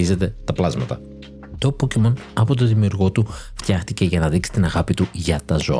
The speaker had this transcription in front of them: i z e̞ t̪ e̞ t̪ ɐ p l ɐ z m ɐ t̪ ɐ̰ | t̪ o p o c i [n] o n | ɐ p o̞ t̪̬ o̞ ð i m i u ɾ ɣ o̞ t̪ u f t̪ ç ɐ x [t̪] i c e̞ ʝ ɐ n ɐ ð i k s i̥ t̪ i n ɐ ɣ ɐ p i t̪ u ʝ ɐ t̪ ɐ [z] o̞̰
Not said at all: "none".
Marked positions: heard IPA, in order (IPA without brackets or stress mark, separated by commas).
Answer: m, t̪, z